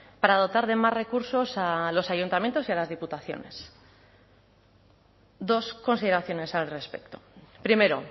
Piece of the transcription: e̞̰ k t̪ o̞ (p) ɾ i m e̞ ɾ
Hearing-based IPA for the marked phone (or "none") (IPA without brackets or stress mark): p